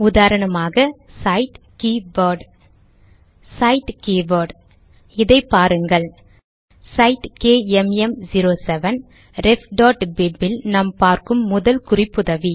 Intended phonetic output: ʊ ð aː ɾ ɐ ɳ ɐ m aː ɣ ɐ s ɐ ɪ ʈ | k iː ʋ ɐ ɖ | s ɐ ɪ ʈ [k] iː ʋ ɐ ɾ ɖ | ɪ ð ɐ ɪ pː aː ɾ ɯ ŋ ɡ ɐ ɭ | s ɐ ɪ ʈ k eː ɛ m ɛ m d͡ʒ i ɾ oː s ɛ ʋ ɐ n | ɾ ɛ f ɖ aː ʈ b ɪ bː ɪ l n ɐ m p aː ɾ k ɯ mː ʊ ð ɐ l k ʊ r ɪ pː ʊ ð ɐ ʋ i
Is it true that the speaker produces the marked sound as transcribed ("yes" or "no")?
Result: yes